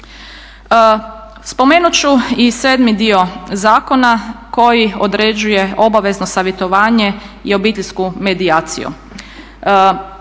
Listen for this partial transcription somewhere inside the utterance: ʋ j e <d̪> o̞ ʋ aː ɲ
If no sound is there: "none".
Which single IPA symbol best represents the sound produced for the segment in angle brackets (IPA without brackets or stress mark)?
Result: t̪